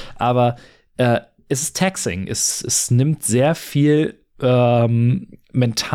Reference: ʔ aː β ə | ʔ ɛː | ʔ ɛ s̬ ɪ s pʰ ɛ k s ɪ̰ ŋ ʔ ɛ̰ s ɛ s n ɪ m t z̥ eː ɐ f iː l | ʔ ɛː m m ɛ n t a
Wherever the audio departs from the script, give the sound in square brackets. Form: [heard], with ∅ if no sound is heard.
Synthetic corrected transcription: ʔ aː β [ɐ] | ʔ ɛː | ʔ ɛ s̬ ɪ s [tʰ] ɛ k s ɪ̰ ŋ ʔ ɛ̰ s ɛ s n ɪ m t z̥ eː ɐ f iː l | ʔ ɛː m m ɛ n [tʰ] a